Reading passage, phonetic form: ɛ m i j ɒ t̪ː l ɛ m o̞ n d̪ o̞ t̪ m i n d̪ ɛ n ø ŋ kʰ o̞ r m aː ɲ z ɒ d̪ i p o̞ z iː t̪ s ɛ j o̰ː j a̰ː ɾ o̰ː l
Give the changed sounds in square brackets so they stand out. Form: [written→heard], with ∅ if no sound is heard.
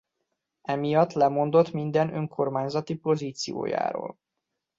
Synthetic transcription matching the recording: ɛ m i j ɒ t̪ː l ɛ m o̞ n d̪ o̞ t̪ m i n d̪ ɛ n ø ŋ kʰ o̞ r m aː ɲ z ɒ [d̪→t̪] i p o̞ z iː t̪ s [ɛ→i] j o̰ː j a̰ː ɾ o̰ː l